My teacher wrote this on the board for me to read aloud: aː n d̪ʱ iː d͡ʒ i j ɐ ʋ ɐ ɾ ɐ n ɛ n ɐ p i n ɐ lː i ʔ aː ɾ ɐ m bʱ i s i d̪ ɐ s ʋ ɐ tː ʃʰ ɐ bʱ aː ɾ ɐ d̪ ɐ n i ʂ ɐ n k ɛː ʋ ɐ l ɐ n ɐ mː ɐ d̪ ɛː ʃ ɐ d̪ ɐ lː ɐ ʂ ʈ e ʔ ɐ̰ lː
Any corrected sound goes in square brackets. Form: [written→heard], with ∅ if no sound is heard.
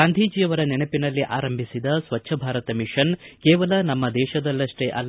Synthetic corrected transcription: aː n d̪ʱ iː d͡ʒ i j ɐ ʋ ɐ ɾ ɐ n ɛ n ɐ p i n ɐ lː i ʔ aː ɾ ɐ m bʱ i s i d̪ ɐ s ʋ ɐ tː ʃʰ ɐ bʱ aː ɾ ɐ [d̪→t̪] ɐ [n→m] i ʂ ɐ n k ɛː ʋ ɐ l ɐ n ɐ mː ɐ d̪ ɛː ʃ ɐ d̪ ɐ lː ɐ ʂ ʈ e ʔ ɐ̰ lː